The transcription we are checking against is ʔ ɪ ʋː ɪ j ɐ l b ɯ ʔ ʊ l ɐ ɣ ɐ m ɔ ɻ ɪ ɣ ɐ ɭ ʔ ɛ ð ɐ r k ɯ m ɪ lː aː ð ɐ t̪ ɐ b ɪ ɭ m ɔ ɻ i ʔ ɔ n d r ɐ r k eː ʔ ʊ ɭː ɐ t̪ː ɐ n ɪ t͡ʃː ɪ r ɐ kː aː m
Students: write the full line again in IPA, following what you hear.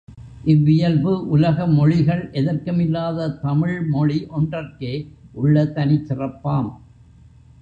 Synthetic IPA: ʔ ɪ ʋː ɪ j ɐ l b ɯ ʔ ʊ l ɐ ɣ ɐ m ɔ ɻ ɪ ɣ ɐ ɭ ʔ ɛ ð ɐ r k ɯ m ɪ lː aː ð ɐ t̪ ɐ m ɪ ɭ m ɔ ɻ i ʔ ɔ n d r ɐ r k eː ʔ ʊ ɭː ɐ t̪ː ɐ n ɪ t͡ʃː ɪ r ɐ pː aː m